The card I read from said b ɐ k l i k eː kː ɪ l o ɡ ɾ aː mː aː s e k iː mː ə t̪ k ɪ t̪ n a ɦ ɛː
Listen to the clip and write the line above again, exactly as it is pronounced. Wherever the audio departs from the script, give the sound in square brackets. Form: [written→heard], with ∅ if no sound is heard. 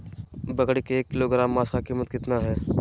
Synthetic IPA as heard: b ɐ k [l→ɽ] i k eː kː ɪ l o ɡ ɾ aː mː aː s [e→a] k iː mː ə t̪ k ɪ t̪ n a ɦ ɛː